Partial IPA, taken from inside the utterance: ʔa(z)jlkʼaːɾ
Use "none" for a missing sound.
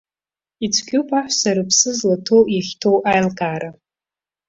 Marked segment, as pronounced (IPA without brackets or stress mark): none